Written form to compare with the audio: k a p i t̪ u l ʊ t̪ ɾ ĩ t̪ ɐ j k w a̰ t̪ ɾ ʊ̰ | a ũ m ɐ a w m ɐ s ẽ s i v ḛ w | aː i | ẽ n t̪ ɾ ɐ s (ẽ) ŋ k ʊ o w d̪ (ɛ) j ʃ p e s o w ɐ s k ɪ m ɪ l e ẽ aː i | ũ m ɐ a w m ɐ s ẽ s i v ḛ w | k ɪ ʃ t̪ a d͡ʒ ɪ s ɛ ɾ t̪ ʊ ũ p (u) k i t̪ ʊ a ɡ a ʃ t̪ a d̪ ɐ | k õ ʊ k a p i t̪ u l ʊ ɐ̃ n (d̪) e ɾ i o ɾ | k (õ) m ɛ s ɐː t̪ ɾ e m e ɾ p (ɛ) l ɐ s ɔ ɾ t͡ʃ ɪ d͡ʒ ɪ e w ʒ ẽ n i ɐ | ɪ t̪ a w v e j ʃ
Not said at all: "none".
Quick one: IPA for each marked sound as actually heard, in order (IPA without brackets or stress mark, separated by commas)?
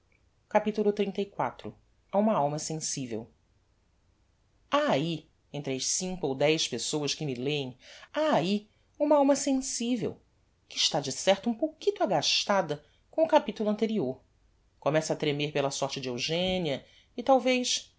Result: ĩ, ɛ, o, t̪, o, e